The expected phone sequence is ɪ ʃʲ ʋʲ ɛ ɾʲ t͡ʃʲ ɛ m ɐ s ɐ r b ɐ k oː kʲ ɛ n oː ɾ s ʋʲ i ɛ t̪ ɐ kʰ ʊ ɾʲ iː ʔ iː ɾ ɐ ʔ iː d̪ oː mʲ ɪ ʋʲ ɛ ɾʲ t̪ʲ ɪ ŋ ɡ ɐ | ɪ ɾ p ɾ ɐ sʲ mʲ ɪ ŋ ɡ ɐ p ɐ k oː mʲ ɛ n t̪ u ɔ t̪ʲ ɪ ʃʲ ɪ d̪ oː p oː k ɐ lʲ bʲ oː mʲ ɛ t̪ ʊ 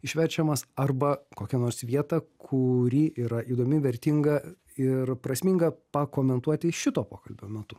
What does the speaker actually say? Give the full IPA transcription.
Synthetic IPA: ɪ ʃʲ ʋʲ ɛ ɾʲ t͡ʃʲ ɛ m ɐ s ɐ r b ɐ k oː kʲ ɛ n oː ɾ s ʋʲ i ɛ t̪ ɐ kʰ ʊ ɾʲ iː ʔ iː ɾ ɐ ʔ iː d̪ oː mʲ ɪ ʋʲ ɛ ɾʲ t̪ʲ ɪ ŋ ɡ ɐ | ɪ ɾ p ɾ ɐ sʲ mʲ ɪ ŋ ɡ ɐ p ɐ k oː mʲ ɛ n t̪ u ɔ t̪ʲ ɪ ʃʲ ɪ t̪ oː p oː k ɐ lʲ bʲ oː mʲ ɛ t̪ ʊ